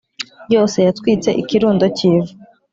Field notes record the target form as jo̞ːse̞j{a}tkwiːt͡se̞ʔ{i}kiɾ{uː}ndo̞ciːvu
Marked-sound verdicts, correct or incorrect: correct, correct, correct

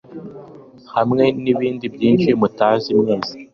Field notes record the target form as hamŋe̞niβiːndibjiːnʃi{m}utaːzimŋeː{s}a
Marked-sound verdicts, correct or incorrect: correct, incorrect

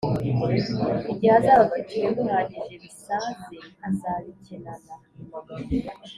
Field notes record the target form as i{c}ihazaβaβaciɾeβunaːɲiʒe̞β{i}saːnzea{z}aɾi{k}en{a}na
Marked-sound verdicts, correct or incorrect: incorrect, correct, correct, incorrect, correct

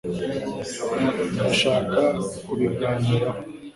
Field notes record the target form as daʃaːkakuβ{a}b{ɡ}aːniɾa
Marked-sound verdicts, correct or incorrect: incorrect, correct

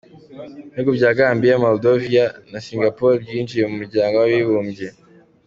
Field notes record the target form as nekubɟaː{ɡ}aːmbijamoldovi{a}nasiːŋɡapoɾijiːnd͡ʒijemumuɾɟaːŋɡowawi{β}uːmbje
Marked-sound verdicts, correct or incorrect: correct, correct, correct

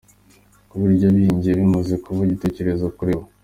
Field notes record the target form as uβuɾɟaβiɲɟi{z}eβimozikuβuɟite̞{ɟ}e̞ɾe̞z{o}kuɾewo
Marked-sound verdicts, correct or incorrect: incorrect, incorrect, correct

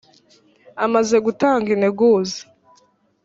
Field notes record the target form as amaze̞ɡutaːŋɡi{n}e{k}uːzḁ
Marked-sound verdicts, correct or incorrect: correct, incorrect

